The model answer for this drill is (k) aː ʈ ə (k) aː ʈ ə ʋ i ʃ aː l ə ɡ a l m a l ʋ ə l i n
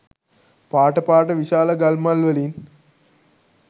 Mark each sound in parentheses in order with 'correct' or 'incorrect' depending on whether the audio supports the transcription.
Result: incorrect: p, incorrect: p

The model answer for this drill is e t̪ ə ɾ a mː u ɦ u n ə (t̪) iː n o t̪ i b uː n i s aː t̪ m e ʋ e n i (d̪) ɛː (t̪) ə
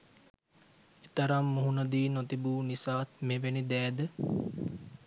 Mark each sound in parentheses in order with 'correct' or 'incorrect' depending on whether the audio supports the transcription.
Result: incorrect: d̪, correct, incorrect: d̪

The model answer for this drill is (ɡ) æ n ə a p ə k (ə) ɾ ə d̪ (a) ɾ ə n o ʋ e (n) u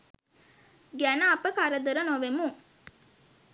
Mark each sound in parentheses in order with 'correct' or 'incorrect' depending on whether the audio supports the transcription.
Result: correct, incorrect: a, incorrect: ə, incorrect: m

